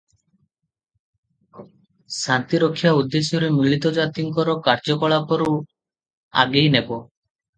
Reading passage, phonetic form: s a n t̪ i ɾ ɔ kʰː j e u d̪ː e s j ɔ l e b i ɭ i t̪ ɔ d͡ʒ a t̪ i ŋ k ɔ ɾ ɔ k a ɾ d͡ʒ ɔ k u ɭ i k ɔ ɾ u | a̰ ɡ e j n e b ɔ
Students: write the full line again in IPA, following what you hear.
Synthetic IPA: s a n t̪ i ɾ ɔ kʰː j a u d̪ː e s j ɔ ɾ e m i ɭ i t̪ ɔ d͡ʒ a t̪ i ŋ k ɔ ɾ ɔ k a ɾ d͡ʒ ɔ k ɔ ɭ a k ɔ ɾ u | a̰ ɡ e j n e b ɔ

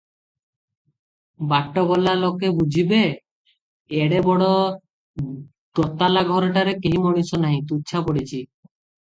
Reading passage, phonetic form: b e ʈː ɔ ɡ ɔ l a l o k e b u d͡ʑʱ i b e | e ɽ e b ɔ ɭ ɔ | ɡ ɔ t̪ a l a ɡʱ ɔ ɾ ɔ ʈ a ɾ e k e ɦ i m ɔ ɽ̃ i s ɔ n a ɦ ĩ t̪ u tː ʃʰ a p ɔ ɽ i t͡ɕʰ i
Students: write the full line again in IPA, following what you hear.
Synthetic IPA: b a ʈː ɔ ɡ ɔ l a l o k e b u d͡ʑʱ i b e | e ɽ e b ɔ ɽ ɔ | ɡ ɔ t̪ a l a ɡʱ ɔ ɾ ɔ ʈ a ɾ e k e ɦ i m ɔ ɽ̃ i s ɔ n a ɦ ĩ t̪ u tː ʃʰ a p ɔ ɽ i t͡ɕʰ i

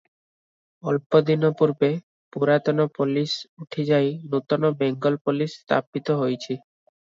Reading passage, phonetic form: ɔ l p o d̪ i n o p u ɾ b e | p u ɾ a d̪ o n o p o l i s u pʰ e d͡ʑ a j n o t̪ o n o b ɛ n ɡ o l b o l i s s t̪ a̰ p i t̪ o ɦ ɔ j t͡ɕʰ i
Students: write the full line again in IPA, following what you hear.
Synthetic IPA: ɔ l p o d̪ i n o p u ɾ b e | p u ɾ a t̪ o n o p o l i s u ʈʰ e d͡ʑ a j n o t̪ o n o b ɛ ŋ ɡ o l p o l i s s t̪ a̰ p i t̪ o ɦ o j t͡ɕʰ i

